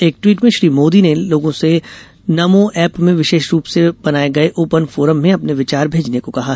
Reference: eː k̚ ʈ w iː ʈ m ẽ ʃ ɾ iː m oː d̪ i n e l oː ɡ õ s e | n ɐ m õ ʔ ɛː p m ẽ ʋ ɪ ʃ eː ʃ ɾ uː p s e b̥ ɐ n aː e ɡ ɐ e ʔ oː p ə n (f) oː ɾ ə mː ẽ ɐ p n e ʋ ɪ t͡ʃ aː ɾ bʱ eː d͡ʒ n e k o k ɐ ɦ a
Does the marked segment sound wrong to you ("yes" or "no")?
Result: no